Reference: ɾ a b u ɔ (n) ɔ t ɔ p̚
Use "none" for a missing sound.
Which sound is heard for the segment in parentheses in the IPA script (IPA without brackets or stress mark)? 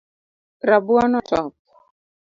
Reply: n